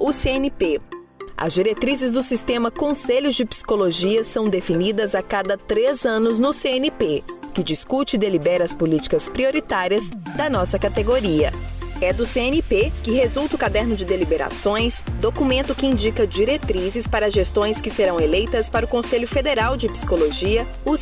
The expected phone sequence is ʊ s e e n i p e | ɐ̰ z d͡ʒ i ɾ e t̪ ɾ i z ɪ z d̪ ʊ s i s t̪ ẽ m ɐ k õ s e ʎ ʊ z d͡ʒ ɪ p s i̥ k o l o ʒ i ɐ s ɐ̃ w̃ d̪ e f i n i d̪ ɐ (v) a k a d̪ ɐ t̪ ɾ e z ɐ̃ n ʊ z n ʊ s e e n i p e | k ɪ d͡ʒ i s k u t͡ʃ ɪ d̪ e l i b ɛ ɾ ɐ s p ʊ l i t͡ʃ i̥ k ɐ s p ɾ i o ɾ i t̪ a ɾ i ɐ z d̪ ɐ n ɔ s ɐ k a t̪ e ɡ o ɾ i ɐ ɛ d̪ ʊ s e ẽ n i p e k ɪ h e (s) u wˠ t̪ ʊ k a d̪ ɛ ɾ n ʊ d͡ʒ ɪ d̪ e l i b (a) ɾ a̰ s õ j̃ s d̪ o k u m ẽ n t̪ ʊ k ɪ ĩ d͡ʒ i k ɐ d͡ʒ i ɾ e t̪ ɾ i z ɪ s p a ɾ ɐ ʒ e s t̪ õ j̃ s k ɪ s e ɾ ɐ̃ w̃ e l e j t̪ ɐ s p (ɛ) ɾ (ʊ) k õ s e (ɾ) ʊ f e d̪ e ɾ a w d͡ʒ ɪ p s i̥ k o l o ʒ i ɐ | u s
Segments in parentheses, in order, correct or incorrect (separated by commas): incorrect, incorrect, incorrect, incorrect, correct, incorrect